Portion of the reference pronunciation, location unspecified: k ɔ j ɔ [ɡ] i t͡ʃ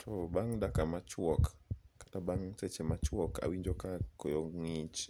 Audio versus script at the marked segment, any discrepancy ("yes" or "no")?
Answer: yes